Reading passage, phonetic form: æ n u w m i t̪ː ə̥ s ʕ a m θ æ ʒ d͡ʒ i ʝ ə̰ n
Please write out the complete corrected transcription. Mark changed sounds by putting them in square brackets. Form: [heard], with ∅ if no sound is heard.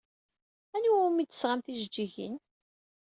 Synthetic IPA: æ n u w m i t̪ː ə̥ s [ʁ] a m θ [i] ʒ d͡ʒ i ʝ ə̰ n

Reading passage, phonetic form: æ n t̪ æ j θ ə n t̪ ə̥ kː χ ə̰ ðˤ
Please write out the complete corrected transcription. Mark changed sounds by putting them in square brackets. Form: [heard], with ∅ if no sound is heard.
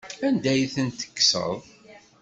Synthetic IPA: æ n [d̪] æ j θ ə n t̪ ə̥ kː [s] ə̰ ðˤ

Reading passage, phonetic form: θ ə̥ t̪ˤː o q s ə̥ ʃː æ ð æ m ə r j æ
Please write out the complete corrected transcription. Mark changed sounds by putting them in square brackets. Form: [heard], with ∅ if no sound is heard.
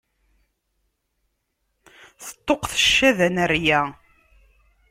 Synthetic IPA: θ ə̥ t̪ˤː o q [θ] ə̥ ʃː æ ð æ [n] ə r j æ

